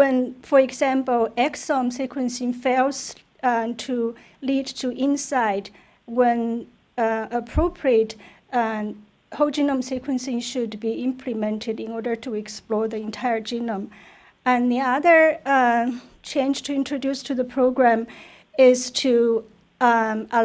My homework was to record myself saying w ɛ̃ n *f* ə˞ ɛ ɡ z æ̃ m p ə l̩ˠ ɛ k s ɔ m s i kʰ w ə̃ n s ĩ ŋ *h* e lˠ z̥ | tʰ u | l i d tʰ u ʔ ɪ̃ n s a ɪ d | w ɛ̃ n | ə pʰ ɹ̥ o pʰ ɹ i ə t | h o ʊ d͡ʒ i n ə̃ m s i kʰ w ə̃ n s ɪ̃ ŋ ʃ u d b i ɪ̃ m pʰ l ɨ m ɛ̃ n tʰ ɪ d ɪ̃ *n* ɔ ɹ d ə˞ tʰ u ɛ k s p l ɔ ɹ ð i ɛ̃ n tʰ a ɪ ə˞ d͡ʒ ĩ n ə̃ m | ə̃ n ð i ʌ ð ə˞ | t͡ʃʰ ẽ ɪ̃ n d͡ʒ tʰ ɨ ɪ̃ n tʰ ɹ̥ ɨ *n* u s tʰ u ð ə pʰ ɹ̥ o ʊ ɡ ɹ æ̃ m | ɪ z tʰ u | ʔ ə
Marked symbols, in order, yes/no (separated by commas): yes, no, yes, no